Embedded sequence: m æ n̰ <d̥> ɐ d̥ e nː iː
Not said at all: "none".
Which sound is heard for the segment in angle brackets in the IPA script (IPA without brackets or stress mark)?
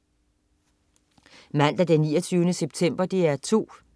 d̥